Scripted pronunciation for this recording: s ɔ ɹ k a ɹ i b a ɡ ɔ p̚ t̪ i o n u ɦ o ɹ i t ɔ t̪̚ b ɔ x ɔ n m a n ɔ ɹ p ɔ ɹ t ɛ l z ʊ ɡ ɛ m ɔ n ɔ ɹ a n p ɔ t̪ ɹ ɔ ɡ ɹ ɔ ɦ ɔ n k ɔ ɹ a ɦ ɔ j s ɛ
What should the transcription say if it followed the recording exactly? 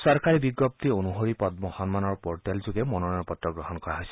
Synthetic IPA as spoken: s ɔ ɹ k a ɹ i b i ɡ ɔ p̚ t̪ i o n u ɦ o ɹ i p ɔ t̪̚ m ɔ x ɔ n m a n ɔ ɹ p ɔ ɹ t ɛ l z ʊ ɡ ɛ m ɔ n ɔ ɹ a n p ɔ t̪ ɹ ɔ ɡ ɹ ɔ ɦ ɔ n k ɔ ɹ a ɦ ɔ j s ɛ